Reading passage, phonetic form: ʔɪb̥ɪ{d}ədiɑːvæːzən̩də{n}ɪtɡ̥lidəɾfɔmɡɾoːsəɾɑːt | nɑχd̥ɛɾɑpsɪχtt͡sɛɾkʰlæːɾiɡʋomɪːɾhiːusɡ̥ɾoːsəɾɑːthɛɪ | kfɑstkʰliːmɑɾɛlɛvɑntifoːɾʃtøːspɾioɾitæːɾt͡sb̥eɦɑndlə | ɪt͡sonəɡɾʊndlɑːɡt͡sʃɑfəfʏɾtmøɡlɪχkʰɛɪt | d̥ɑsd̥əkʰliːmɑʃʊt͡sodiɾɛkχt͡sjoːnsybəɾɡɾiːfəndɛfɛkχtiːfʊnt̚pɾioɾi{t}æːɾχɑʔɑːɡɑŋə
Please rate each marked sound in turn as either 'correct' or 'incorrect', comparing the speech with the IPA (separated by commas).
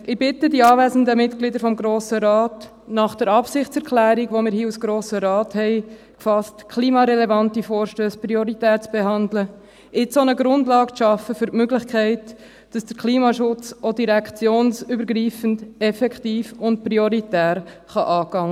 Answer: incorrect, incorrect, correct